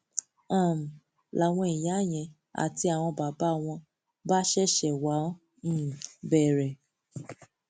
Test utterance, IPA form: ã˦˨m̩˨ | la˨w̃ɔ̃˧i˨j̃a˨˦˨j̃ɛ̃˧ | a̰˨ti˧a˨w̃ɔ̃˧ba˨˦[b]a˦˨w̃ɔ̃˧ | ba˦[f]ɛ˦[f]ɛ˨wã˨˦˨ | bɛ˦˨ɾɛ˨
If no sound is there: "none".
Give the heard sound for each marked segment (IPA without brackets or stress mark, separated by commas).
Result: b, ʃ, ʃ